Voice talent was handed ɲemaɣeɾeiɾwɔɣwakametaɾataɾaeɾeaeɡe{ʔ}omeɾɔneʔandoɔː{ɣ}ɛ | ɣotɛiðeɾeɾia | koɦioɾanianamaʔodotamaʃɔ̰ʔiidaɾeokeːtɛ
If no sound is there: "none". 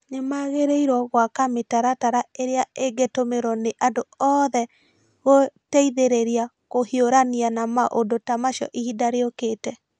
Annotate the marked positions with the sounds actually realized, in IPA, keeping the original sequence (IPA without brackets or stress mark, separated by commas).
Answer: t, ð